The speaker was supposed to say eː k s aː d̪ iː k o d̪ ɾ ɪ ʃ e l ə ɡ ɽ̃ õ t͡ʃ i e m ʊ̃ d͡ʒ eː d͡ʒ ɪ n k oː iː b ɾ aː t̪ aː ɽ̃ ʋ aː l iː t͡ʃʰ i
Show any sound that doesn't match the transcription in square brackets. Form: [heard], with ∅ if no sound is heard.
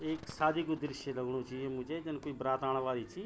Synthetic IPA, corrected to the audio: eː k s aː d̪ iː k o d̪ ɾ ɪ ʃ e l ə ɡ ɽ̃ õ t͡ʃ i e m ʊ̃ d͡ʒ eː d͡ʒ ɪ n k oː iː b ɾ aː t̪ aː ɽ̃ ʋ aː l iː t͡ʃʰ i